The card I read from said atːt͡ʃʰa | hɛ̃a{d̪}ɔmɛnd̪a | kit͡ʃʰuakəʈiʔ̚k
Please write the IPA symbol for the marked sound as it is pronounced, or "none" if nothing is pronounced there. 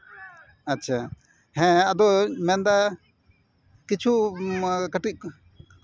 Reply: d̪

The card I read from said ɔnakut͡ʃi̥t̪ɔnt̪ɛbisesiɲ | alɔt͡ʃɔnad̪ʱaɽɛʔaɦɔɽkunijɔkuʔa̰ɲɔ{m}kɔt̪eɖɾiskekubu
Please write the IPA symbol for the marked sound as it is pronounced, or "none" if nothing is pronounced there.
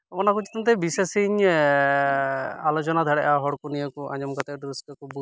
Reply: m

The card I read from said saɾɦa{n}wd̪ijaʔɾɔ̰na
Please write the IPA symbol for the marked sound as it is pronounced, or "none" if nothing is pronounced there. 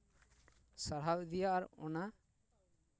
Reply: none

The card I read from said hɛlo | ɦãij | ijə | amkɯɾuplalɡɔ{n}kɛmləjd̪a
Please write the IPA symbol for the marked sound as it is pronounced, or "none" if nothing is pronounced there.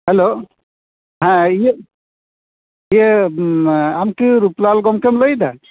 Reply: m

